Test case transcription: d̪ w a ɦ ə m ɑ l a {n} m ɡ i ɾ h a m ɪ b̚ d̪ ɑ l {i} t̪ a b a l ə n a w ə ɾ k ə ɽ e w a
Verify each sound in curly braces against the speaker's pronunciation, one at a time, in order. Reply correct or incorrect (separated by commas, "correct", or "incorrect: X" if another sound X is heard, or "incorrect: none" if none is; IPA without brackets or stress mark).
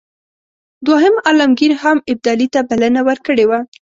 incorrect: none, correct